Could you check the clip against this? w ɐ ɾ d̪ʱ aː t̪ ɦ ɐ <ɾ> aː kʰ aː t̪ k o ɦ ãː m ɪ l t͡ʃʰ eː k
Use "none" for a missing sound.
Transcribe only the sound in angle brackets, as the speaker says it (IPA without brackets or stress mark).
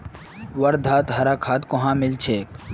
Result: ɾ